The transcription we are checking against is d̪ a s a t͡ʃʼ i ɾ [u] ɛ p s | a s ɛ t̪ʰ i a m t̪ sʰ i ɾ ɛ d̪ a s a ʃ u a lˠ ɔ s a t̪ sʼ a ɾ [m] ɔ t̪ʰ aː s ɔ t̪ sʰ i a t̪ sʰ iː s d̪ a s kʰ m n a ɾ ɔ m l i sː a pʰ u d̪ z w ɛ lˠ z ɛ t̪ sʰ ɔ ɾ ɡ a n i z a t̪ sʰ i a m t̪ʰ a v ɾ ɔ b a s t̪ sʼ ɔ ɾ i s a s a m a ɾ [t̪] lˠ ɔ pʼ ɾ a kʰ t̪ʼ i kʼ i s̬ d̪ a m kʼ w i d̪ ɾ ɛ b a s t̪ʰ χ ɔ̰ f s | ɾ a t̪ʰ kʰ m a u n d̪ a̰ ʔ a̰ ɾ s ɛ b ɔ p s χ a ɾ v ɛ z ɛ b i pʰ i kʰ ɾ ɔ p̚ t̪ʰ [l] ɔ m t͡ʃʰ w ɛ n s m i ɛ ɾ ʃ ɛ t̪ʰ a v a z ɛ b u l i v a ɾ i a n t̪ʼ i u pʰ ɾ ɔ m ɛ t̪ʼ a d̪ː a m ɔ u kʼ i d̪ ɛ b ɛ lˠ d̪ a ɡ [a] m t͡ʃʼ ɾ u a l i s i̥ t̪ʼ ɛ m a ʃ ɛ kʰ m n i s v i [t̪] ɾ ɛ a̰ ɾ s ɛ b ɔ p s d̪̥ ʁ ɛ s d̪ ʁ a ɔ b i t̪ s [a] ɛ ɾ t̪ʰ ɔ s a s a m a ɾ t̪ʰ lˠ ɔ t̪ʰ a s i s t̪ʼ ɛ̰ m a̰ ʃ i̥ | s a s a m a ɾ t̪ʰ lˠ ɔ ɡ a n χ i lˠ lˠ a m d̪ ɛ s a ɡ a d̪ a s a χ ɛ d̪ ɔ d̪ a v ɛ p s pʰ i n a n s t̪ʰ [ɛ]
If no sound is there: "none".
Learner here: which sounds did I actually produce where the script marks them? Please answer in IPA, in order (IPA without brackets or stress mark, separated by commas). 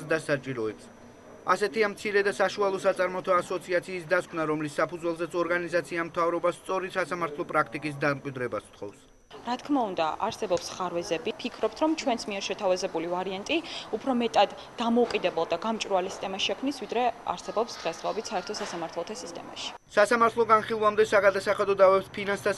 ɔ, m, t̪ʰ, ɾ, a, d̪, a, a